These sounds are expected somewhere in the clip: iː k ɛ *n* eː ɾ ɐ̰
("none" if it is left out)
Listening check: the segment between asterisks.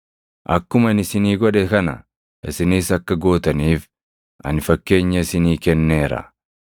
nː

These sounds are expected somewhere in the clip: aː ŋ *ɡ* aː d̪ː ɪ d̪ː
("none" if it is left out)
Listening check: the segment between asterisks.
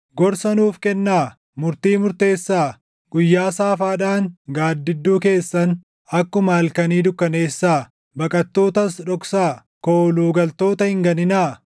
ɡ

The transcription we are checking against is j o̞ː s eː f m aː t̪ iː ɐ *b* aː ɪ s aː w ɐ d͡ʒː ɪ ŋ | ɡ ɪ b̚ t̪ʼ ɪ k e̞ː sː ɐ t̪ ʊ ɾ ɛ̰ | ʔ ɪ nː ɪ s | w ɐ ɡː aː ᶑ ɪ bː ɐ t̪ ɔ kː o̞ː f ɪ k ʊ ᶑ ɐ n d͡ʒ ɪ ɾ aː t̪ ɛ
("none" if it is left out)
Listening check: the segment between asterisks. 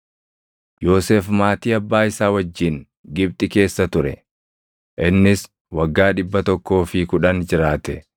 bː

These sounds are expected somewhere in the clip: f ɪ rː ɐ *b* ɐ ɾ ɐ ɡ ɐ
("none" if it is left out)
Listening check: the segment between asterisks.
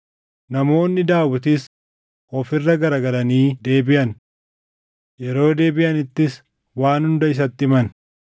ɡ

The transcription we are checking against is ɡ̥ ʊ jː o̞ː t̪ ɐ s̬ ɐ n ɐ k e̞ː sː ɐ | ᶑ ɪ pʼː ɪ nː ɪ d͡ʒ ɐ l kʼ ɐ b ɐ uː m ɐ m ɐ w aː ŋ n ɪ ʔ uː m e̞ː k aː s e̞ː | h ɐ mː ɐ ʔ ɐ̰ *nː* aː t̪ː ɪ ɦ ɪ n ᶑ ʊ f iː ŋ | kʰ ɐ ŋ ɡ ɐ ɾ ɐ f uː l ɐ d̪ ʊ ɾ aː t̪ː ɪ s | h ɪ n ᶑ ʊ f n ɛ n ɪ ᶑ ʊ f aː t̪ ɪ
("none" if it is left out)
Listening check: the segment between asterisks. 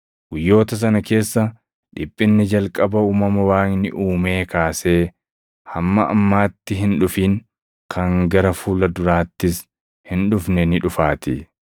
mː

